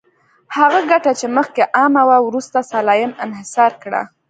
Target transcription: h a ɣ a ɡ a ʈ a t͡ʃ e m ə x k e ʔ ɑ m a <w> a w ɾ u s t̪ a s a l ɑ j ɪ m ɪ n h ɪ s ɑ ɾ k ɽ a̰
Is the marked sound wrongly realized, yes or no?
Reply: no